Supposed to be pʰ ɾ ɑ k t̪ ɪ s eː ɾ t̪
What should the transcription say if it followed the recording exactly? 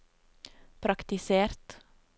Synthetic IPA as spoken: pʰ ɾ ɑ k t̪ ɪ s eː ɾ t̪

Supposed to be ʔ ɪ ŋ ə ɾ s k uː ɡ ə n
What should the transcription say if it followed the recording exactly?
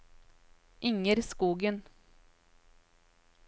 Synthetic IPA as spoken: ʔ ɪ ŋ ə ɾ s k uː ɡ ə n

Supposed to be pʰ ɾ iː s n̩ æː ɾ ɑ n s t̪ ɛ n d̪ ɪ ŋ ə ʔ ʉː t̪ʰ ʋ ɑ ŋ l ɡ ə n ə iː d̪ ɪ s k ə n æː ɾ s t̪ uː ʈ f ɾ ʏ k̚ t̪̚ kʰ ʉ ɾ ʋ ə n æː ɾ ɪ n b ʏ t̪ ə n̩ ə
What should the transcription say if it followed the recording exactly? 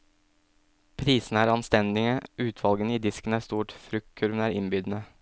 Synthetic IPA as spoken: pʰ ɾ iː s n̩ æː ɾ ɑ n s t̪ ɛ n d̪ ɪ ŋ ə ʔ ʉː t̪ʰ ʋ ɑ l ɡ ə n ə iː d̪ ɪ s k ə n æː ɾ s t̪ uː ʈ f ɾ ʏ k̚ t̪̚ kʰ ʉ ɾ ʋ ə n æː ɾ ɪ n b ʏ d̪ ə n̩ ə

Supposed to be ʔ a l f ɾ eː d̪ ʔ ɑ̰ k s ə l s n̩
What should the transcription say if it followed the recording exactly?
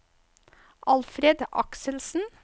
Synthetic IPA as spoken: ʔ ɑ l f ɾ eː d̪ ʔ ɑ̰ k s ə l s n̩

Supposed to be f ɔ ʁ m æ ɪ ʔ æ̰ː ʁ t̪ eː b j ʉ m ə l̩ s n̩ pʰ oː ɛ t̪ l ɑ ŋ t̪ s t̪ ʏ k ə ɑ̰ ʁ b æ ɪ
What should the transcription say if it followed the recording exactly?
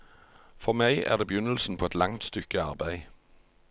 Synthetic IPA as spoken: f ɔ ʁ m æ ɪ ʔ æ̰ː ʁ d̪ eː b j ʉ n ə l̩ s n̩ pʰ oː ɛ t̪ l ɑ ŋ t̪ s t̪ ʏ k ə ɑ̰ ʁ b æ ɪ

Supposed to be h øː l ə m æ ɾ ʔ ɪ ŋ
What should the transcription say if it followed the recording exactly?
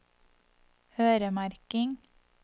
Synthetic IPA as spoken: h øː ɾ ə m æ ɾ k ɪ ŋ

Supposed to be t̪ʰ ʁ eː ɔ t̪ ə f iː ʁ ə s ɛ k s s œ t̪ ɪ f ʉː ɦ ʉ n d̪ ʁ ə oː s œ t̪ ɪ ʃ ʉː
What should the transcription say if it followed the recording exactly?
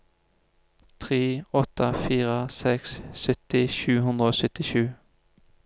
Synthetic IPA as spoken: t̪ʰ ʁ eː ɔ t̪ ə f iː ʁ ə s ɛ k s s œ t̪ ɪ ʃ ʉː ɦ ʉ n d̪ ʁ ə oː s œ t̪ ɪ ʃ ʉː

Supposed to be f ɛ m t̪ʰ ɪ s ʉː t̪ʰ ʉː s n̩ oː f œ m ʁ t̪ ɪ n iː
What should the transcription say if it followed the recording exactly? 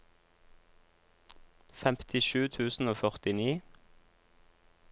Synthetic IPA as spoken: f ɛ m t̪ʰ ɪ ʃ ʉː t̪ʰ ʉː s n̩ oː f œ ʁ t̪ ɪ n iː

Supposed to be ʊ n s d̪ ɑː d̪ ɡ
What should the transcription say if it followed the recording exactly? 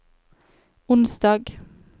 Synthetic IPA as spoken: ʊ n s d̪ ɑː ɡ

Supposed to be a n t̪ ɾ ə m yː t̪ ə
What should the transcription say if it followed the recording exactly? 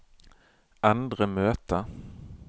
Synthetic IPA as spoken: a n d̪ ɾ ə m øː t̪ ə

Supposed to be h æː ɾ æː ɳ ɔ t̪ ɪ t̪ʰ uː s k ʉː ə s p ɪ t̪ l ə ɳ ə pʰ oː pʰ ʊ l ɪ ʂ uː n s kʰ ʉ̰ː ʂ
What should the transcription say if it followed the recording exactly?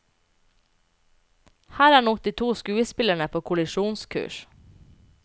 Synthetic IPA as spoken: h æː ɾ æː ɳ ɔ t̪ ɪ t̪ʰ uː s k ʉː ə s p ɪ l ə ɳ ə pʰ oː kʰ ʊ l ɪ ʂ uː n s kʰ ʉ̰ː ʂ

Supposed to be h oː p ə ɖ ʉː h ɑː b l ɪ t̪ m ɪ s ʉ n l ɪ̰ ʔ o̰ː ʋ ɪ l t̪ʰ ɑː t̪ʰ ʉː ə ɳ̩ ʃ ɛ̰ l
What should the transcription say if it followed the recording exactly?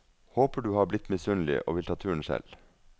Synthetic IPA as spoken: h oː p ə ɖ ʉː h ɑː b l ɪ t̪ m ɪ s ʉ n l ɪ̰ ʔ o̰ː ʋ ɪ l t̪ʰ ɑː t̪ʰ ʉː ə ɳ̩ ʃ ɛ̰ l

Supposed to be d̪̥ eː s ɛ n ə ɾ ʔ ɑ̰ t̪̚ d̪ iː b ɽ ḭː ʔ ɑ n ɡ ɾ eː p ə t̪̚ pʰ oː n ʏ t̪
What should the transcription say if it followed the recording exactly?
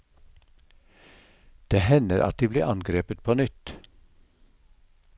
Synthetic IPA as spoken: d̪̥ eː h ɛ n ə ɾ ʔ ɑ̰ t̪̚ d̪ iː b l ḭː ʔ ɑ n ɡ ɾ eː p ə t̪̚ pʰ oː n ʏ t̪

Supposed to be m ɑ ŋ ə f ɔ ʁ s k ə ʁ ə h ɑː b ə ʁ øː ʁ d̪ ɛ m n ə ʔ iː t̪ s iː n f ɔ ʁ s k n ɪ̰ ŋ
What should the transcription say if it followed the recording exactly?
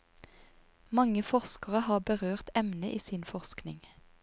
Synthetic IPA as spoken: m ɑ ŋ ə f ɔ ʁ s k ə ʁ ə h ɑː b ə ʁ øː ʁ t̪ ɛ m n ə ʔ iː s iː n f ɔ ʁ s k n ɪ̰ ŋ

